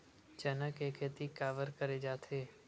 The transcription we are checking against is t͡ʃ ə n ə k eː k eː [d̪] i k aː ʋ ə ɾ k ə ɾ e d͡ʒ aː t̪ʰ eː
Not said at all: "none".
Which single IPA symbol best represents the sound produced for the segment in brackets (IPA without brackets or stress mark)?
t̪